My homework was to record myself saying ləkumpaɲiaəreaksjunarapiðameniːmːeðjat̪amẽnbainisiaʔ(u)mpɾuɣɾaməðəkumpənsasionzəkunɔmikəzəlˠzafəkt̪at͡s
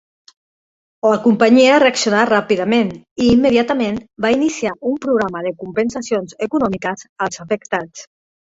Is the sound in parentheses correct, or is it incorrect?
correct